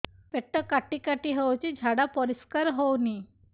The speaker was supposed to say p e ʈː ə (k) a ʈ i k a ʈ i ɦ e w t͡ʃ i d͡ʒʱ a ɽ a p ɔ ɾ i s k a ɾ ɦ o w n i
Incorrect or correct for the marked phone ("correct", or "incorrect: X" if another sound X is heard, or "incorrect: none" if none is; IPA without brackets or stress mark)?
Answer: correct